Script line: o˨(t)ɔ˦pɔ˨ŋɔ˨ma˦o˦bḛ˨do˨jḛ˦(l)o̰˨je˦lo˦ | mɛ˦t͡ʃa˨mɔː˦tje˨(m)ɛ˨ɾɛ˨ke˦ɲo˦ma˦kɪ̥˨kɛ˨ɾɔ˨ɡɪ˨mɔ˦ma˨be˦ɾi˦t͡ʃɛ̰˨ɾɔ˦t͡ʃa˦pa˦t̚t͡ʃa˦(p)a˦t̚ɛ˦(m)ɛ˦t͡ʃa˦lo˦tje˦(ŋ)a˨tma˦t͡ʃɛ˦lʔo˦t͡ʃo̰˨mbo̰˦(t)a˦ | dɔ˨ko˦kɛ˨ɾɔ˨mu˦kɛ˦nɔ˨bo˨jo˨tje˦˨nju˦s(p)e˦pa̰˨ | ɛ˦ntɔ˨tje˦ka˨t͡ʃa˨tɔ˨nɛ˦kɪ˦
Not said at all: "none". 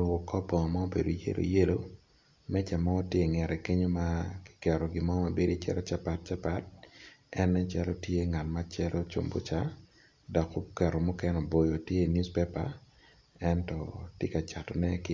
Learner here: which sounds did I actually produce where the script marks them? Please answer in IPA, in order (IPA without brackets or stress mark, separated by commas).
k, l, ŋ, p, n, ŋ, t͡ʃ, p